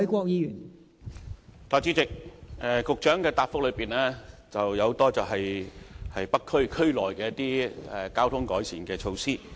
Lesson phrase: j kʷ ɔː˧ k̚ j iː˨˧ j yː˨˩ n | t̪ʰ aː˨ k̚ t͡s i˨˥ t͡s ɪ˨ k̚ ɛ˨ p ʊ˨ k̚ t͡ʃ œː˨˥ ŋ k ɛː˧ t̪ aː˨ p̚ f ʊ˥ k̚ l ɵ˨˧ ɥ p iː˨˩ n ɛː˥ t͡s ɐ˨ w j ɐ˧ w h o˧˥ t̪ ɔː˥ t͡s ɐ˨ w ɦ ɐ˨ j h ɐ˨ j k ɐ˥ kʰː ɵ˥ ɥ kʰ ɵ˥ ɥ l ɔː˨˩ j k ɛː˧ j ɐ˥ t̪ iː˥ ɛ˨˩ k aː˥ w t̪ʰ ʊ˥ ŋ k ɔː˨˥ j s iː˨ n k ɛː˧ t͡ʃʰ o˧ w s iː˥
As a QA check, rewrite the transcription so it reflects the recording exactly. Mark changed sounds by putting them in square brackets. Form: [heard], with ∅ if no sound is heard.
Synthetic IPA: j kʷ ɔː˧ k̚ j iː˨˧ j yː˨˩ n | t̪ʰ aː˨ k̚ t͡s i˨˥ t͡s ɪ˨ k̚ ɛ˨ [k] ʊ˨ k̚ t͡ʃ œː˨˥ ŋ k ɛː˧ t̪ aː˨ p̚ f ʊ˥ k̚ l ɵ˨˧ ɥ p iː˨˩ n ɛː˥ t͡s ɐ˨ w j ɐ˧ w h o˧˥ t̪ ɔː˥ t͡s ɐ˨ w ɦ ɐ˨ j h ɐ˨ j [p] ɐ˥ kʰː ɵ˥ ɥ kʰ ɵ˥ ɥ l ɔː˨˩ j k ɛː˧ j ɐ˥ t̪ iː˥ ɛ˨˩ k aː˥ w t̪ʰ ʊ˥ ŋ k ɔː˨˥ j s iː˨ n k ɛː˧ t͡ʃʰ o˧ w s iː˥

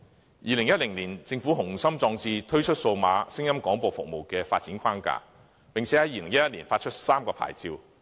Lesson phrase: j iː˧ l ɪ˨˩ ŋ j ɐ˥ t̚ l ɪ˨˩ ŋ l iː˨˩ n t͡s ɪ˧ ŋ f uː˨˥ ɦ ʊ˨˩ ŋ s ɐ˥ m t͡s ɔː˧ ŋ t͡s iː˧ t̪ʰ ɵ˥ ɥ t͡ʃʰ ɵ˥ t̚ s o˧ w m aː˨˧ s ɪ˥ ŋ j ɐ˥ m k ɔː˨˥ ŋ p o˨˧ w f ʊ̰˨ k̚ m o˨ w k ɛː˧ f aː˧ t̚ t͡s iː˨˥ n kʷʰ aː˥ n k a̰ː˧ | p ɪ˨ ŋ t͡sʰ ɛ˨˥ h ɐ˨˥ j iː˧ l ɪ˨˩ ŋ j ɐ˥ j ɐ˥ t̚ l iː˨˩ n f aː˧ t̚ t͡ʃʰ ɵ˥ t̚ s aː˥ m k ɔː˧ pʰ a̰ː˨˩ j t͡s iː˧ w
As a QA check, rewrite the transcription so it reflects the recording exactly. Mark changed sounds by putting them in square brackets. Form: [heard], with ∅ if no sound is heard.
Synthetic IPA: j iː˧ l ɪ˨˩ ŋ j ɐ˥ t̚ l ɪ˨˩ ŋ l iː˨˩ n t͡s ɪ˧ ŋ f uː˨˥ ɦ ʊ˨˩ ŋ s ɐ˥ m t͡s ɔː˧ ŋ t͡s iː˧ t̪ʰ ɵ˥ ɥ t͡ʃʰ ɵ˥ t̚ s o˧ w m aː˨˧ s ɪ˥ ŋ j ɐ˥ m k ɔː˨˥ ŋ p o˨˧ w f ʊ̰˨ k̚ m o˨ w k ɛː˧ f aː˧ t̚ t͡s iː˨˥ n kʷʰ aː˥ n k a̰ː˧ | p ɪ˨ ŋ t͡sʰ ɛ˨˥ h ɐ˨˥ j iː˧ l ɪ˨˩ ŋ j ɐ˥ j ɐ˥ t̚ l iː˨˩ n f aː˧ t̚ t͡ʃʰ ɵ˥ t̚ s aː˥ m k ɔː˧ pʰ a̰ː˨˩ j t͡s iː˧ w

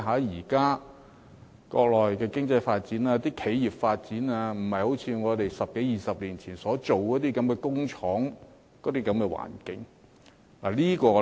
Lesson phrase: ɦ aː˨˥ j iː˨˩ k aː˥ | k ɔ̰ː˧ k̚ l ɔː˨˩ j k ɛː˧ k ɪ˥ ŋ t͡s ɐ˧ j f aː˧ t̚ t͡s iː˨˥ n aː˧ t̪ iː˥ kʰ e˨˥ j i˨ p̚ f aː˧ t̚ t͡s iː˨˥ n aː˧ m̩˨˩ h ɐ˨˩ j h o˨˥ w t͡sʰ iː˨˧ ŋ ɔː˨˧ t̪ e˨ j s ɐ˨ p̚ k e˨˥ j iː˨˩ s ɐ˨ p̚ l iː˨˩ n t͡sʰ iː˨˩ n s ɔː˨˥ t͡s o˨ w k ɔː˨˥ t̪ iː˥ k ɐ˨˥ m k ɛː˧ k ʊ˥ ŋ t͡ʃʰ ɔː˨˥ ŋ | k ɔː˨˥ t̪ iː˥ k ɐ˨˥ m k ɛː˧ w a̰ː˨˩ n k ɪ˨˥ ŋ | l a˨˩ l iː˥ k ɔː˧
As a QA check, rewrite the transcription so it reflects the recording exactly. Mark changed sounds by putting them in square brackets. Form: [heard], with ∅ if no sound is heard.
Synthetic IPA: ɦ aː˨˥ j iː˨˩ k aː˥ | k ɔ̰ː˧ k̚ l ɔː˨˩ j k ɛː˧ k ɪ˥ ŋ t͡s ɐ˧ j f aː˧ t̚ t͡s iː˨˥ n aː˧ t̪ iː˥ kʰ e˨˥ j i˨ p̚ f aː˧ t̚ t͡s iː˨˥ n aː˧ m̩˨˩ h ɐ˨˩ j h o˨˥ w t͡sʰ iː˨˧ ŋ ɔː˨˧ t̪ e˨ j s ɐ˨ p̚ k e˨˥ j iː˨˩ s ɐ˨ p̚ l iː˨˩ n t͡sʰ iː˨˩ n s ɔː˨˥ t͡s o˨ w k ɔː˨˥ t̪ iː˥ k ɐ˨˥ m k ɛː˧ k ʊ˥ ŋ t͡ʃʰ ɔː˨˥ ŋ | k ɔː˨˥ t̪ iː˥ k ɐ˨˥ m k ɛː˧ w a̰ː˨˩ n k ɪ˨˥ ŋ | l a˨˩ l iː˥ k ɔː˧

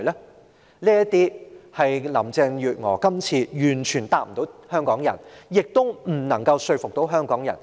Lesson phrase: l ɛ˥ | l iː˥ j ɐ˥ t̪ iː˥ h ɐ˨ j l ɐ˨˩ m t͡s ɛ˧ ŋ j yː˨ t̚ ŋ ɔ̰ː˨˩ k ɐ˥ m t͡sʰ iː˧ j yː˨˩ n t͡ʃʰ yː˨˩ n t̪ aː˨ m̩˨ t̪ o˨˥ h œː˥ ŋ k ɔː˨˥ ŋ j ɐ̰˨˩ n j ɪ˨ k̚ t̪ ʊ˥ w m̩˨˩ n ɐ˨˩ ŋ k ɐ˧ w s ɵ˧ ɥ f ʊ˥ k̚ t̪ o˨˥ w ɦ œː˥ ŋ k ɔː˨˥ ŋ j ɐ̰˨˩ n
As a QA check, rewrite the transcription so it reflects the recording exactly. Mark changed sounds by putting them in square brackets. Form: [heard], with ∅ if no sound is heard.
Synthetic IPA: l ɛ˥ | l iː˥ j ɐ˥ t̪ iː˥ h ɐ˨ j l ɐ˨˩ m t͡s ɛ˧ ŋ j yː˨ t̚ ŋ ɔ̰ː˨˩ k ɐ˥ m t͡sʰ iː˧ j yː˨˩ n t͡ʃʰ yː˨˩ n t̪ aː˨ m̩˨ t̪ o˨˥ h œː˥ ŋ k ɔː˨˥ ŋ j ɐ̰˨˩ n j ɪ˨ k̚ t̪ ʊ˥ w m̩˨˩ n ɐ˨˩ ŋ k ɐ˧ w s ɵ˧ ɥ f [ʊ˨] k̚ t̪ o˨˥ w ɦ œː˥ ŋ k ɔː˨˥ ŋ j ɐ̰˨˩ n

